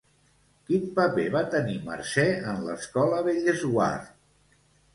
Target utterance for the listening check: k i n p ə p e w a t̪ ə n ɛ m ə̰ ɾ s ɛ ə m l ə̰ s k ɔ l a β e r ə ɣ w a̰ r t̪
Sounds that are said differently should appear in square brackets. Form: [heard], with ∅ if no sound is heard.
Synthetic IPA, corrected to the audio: k i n p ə p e [β] a t̪ ə n [i] m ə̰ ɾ s ɛ ə [n] l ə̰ s k ɔ l [ə] β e [ʎ] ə [z] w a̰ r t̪